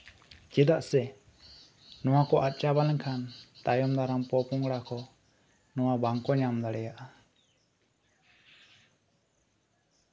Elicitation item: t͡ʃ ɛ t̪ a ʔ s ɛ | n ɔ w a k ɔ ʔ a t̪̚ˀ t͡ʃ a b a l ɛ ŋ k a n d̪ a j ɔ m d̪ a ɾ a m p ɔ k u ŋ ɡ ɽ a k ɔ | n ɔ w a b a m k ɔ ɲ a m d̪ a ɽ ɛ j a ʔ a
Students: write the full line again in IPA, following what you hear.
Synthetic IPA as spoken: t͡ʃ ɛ d̪ a ʔ s ɛ | n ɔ w a k ɔ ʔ a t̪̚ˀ t͡ʃ a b a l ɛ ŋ kʰ a n t̪ a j ɔ m d̪ a ɾ a m p ɔ p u ŋ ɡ ɽ a k ɔ | n ɔ w a b a ŋ k ɔ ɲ a m d̪ a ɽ ɛ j a ʔ a